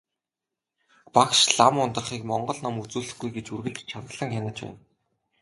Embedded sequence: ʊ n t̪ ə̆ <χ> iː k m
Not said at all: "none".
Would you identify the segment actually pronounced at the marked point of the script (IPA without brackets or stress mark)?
χ